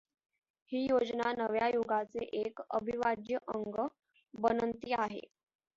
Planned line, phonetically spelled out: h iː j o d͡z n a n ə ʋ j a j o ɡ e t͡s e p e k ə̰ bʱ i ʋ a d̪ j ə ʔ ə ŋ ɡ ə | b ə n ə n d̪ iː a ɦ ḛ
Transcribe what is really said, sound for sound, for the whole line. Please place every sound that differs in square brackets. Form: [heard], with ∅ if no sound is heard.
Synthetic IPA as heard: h iː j o d͡z n a n ə ʋ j a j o ɡ [a] t͡s e [ʔ] e k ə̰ bʱ i ʋ a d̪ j ə ʔ ə ŋ ɡ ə | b ə n ə n [t̪] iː a ɦ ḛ